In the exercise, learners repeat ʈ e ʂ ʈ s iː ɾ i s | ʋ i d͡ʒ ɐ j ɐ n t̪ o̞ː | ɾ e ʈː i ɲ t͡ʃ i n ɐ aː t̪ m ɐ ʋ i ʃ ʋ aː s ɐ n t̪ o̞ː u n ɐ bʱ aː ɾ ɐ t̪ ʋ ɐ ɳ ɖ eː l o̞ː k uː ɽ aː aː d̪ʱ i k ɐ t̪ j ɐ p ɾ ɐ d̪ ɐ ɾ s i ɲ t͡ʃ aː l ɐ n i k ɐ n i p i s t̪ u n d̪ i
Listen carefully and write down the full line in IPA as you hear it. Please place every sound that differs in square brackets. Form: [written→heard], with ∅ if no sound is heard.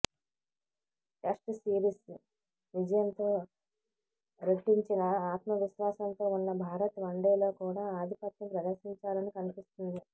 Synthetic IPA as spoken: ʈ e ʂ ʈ s iː ɾ i s | ʋ i d͡ʒ ɐ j ɐ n t̪ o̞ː | ɾ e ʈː i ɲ t͡ʃ i n ɐ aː t̪ m ɐ ʋ i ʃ ʋ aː s ɐ n t̪ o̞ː u [n→nː] ɐ bʱ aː ɾ ɐ t̪ ʋ ɐ ɳ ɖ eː l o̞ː k uː ɽ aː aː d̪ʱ i [k→p] ɐ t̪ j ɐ p ɾ ɐ d̪ ɐ ɾ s i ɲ t͡ʃ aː l ɐ n i k ɐ n i p i s t̪ u n d̪ i